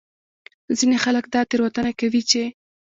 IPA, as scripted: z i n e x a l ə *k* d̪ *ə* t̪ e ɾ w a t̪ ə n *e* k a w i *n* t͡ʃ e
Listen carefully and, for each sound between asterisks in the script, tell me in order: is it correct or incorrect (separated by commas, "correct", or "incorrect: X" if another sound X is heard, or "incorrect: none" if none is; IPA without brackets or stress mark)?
correct, incorrect: ɑ, incorrect: a, incorrect: none